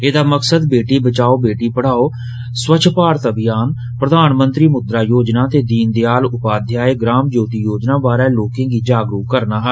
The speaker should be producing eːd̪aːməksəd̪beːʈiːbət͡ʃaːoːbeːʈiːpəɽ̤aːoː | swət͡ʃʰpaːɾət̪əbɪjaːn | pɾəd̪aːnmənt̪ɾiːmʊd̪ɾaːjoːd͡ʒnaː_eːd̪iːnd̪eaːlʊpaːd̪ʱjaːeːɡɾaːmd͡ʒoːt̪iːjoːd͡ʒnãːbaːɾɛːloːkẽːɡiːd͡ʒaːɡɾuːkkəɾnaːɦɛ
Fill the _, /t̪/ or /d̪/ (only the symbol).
t̪